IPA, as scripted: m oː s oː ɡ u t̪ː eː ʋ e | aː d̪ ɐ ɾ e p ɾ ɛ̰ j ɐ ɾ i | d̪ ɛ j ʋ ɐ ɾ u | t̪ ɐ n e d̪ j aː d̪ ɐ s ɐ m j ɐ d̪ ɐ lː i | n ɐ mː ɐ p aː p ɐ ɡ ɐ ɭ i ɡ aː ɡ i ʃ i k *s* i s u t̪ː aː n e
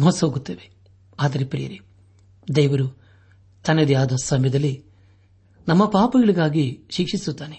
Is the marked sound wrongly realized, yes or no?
yes